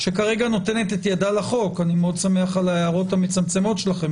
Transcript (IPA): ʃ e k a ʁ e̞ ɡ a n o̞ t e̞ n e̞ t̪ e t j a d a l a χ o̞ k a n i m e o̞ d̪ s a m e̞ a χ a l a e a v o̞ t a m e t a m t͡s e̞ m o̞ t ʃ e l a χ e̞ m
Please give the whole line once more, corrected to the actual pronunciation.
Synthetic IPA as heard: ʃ e k a ʁ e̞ ɡ a n o̞ t e̞ n e̞ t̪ e t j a d a l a χ o̞ k a n i m e o̞ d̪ s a m e̞ a χ a l a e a ʁ o̞ t a m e t͡s a m t͡s e̞ m o̞ t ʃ e l a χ e̞ m